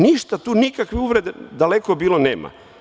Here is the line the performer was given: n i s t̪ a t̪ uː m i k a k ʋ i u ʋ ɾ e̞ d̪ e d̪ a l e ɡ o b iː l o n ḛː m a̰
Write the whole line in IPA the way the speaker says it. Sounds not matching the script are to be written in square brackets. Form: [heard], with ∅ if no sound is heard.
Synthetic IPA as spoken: n i [ʃ] t̪ a t̪ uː [n] i k a k ʋ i u ʋ ɾ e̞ d̪ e d̪ a l e [k] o b iː l o n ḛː m a̰